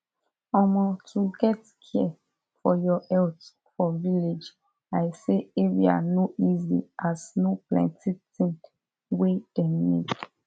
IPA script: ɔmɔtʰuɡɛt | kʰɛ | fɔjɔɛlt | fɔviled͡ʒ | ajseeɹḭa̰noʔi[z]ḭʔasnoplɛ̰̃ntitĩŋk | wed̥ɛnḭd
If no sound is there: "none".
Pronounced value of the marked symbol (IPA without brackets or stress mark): z